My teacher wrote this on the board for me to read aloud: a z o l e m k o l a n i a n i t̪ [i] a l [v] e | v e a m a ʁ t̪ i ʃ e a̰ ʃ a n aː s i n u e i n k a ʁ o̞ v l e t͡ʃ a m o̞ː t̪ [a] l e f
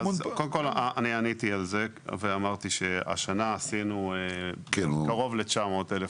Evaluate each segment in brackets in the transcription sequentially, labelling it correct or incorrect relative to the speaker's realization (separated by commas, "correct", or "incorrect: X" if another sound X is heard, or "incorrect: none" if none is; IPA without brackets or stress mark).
correct, incorrect: z, incorrect: e